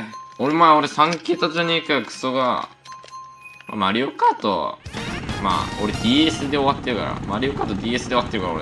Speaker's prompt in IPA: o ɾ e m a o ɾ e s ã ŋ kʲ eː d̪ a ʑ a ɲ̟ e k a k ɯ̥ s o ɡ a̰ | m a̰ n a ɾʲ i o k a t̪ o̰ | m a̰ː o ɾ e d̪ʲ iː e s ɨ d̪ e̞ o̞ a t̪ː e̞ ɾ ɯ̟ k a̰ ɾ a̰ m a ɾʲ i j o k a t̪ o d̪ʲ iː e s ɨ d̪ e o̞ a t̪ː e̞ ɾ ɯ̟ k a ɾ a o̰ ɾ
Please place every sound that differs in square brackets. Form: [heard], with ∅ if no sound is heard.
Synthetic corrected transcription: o ɾ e m a o ɾ e s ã ŋ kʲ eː [t̪] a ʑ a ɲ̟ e k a k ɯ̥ s o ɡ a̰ | m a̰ [m] a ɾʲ i o k a t̪ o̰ | m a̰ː o ɾ e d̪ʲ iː e s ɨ d̪ e̞ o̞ a t̪ː e̞ ɾ ɯ̟ k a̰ ɾ a̰ m a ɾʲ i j o k a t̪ o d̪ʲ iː e s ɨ d̪ e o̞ a t̪ː e̞ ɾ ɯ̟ k a ɾ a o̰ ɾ